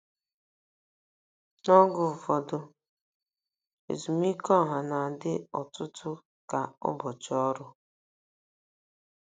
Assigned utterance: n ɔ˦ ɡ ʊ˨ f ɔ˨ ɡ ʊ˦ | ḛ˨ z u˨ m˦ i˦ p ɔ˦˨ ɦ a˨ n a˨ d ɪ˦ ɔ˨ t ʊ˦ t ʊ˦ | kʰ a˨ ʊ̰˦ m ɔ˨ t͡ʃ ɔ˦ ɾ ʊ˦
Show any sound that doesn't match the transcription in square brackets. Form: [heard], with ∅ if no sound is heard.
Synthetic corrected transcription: n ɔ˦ ɡ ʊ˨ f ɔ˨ [d] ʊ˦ | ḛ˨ z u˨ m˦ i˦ [k] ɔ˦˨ ɦ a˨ n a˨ d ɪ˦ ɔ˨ t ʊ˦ t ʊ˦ | [k] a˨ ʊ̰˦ [b] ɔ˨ t͡ʃ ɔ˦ ɾ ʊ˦